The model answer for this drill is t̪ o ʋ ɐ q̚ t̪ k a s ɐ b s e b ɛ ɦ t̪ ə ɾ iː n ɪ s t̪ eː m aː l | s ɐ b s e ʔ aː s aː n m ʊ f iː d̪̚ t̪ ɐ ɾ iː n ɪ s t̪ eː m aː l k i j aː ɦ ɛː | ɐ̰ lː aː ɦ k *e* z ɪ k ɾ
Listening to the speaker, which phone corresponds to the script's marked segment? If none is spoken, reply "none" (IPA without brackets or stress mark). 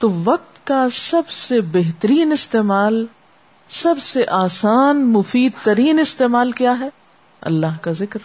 a